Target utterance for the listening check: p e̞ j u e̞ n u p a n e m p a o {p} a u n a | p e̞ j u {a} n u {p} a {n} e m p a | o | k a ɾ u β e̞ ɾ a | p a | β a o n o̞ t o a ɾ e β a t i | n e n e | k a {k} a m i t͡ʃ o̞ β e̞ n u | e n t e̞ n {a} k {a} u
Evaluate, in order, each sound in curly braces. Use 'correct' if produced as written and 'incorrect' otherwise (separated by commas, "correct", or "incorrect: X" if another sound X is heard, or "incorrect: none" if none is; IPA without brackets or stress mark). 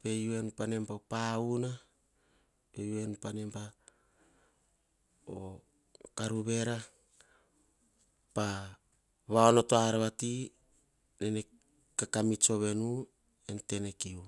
correct, incorrect: e, correct, correct, correct, incorrect: e, incorrect: i